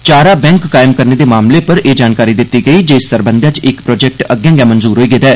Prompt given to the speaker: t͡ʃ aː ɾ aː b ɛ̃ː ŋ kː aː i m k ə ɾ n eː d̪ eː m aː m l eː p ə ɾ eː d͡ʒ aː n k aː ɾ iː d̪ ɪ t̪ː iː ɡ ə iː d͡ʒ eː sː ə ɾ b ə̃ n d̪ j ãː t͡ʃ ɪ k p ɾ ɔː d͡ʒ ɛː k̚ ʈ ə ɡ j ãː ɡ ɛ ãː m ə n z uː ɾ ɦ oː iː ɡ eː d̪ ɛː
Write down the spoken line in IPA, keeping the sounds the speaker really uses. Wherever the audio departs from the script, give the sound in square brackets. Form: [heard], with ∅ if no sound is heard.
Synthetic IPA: t͡ʃ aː ɾ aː b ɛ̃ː ŋ kː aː [ɪ] m k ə ɾ n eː d̪ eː m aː m l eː p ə ɾ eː d͡ʒ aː n k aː ɾ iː d̪ ɪ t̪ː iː ɡ ə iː d͡ʒ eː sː ə ɾ b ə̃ n d̪ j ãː t͡ʃ ɪ k p ɾ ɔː d͡ʒ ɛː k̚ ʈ ə ɡ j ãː ɡ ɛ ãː m ə n z uː ɾ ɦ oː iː ɡ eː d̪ ɛː